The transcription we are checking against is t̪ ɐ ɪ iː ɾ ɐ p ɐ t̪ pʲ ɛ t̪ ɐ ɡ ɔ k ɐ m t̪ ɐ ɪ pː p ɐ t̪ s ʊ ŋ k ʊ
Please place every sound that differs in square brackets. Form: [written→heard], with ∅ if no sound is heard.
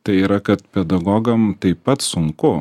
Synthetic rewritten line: t̪ ɐ ɪ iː ɾ ɐ [p→k] ɐ t̪ pʲ ɛ [t̪→d̪] ɐ ɡ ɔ [k→ɡ] ɐ m t̪ ɐ ɪ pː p ɐ t̪ s ʊ ŋ k ʊ